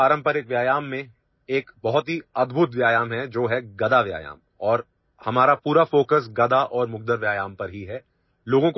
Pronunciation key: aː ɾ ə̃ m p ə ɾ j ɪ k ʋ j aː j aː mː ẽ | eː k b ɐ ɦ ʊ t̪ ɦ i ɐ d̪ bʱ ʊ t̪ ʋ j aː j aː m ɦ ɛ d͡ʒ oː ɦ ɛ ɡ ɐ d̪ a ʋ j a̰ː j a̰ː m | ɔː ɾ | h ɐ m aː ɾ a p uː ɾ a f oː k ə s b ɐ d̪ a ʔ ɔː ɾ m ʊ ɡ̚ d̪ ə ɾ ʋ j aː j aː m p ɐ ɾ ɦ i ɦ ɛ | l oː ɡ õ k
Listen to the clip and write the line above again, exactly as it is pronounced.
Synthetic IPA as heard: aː ɾ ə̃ m p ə ɾ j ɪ k ʋ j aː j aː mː ẽ | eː k b ɐ ɦ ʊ t̪ ɦ i ɐ d̪ bʱ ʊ t̪ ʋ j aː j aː m ɦ ɛ d͡ʒ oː ɦ ɛ ɡ ɐ d̪ a ʋ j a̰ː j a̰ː m | ɔː ɾ | h ɐ m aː ɾ a p uː ɾ a f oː k ə s ɡ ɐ d̪ a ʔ ɔː ɾ m ʊ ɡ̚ d̪ ə ɾ ʋ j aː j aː m p ɐ ɾ ɦ i ɦ ɛ | l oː ɡ õ k